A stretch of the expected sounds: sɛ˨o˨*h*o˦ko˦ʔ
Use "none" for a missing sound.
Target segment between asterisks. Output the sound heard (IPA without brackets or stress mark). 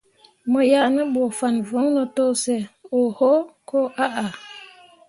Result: h